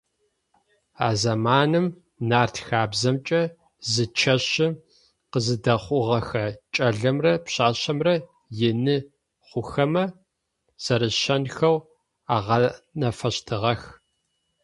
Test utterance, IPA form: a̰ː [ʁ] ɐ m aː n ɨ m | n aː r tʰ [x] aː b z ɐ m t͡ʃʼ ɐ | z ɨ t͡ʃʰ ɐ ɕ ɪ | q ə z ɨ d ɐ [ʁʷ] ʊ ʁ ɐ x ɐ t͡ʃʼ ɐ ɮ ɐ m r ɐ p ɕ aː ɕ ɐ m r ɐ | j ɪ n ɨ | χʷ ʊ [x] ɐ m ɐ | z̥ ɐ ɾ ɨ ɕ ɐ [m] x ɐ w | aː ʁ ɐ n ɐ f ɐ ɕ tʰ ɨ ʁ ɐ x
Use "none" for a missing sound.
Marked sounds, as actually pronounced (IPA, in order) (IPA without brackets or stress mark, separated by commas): z, x, χʷ, x, n